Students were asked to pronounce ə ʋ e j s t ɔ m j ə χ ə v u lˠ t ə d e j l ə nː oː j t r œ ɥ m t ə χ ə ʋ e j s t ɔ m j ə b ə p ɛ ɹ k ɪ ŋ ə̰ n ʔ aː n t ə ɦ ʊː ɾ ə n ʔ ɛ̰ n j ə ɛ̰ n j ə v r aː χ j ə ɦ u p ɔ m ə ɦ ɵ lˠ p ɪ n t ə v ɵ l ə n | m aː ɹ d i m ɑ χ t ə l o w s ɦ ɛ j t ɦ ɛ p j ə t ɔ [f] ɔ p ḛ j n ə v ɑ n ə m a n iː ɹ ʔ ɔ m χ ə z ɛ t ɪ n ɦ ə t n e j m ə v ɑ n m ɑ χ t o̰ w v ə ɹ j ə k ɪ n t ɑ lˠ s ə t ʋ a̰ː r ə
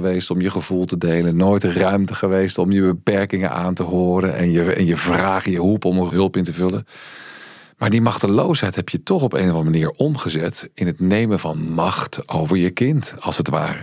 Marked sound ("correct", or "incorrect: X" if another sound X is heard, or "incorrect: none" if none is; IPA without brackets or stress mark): incorrect: χ